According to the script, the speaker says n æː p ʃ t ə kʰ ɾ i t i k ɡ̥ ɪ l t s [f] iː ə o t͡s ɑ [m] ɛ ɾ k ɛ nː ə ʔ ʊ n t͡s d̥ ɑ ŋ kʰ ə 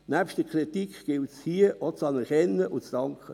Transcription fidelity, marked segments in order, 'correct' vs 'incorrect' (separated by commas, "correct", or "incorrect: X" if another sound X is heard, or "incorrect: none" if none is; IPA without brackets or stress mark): incorrect: h, incorrect: n